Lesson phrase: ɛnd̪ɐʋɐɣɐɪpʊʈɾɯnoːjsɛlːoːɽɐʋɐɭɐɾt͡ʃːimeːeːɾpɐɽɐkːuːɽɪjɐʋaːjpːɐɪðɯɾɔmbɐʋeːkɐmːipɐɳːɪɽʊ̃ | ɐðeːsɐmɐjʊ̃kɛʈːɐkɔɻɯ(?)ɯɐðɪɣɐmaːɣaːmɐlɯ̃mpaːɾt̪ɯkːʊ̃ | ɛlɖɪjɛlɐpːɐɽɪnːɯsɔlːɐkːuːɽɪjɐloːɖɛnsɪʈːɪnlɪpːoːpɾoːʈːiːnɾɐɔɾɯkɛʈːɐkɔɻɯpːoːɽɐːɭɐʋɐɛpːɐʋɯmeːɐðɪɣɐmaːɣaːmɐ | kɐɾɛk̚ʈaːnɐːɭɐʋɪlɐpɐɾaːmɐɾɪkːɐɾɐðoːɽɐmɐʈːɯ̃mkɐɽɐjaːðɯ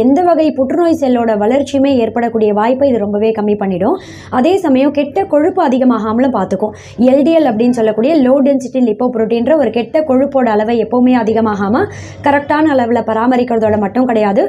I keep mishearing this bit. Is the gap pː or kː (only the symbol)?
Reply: pː